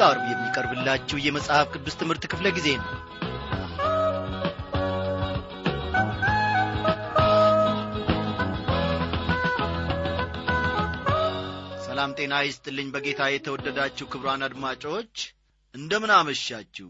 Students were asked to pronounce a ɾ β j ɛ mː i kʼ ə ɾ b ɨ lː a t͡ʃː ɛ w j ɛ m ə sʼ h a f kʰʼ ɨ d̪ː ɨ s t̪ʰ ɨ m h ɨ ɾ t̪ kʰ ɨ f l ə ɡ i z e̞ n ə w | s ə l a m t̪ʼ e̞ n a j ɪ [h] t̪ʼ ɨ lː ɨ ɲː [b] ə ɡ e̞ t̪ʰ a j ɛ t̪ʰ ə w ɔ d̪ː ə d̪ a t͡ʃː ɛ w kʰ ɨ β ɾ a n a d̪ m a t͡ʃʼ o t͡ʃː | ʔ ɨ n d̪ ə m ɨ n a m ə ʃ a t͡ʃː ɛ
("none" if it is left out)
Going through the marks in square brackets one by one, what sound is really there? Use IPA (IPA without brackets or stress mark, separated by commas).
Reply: s, b